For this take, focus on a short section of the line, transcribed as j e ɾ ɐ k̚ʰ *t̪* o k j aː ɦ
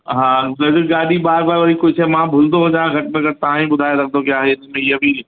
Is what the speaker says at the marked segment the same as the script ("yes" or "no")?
no